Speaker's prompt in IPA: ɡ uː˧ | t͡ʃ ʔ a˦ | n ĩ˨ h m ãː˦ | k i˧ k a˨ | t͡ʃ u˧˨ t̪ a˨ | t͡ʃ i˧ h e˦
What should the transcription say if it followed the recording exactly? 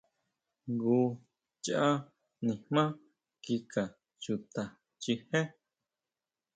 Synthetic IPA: ɡ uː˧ | t͡ʃ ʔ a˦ | n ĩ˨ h m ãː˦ | k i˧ k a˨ | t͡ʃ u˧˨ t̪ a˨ | t͡ʃ i˧ h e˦